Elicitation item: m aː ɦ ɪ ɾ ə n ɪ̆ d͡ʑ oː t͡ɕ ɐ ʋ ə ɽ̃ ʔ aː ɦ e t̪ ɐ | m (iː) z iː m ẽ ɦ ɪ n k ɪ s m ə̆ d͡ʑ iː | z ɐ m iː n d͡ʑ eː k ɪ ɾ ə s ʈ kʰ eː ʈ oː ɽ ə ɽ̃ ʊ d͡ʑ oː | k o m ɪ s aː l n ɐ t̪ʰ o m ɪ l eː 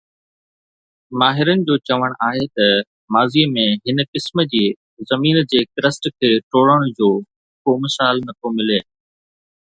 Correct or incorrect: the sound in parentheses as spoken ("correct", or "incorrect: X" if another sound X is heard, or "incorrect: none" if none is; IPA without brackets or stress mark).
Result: incorrect: aː